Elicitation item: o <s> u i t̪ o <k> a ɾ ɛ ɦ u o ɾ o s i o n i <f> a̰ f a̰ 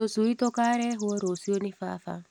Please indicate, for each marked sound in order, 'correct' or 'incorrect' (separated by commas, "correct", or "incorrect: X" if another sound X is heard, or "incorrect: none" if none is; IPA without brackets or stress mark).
correct, correct, correct